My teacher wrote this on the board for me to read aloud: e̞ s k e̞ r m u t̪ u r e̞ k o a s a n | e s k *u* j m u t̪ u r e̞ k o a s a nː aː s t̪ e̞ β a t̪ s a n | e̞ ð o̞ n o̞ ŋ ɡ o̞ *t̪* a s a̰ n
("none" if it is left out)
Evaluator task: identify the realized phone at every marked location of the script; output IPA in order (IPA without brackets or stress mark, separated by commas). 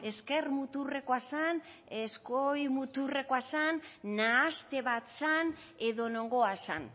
o, none